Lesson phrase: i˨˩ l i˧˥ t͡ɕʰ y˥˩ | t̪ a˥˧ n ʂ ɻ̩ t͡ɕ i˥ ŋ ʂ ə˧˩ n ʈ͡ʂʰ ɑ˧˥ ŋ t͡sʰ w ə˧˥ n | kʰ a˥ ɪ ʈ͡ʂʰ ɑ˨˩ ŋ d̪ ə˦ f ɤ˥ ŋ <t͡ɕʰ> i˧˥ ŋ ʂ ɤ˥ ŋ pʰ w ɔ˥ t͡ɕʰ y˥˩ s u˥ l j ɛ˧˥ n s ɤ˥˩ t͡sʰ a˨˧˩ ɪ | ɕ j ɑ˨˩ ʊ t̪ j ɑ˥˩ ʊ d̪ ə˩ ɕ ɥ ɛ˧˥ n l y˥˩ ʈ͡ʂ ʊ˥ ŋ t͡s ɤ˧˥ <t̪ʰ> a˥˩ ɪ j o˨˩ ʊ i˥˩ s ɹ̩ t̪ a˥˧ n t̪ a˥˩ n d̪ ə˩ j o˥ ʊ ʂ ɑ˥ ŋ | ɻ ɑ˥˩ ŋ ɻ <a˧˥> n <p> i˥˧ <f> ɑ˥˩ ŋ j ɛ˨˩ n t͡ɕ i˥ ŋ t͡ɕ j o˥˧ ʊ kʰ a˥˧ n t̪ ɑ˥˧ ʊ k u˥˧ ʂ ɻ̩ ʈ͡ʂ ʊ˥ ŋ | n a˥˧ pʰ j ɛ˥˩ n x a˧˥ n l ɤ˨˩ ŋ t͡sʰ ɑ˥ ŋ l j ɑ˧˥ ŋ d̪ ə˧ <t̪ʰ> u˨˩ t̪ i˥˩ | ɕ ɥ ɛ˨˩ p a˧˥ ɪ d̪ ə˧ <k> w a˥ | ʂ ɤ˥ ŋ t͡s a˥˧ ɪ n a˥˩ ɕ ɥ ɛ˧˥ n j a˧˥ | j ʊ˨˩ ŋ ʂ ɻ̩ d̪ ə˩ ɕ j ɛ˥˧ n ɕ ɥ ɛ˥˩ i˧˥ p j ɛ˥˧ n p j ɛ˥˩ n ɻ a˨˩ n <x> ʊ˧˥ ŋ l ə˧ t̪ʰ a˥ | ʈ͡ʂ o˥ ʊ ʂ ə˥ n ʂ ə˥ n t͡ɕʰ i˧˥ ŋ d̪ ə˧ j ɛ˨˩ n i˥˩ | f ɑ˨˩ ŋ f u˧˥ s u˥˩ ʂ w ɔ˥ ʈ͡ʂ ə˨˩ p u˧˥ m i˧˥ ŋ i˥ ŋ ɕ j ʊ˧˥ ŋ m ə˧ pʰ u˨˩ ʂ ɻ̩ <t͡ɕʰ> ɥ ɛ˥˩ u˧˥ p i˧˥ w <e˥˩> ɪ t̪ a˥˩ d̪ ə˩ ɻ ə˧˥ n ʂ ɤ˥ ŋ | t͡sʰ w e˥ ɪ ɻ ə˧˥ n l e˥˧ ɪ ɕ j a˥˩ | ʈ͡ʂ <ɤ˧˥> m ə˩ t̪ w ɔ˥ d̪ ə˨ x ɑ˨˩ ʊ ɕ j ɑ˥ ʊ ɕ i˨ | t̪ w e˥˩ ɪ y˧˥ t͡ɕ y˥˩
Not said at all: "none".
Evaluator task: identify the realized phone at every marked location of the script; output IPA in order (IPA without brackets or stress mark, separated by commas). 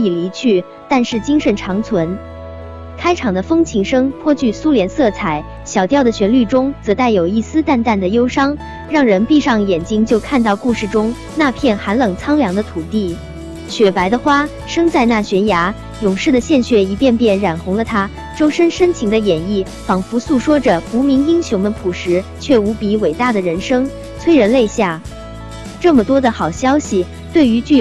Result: t͡ɕʰ, t̪, ə˧˥, p, ʂ, t̪ʰ, x, x, t͡ɕʰ, e˨˩, ɤ˥˩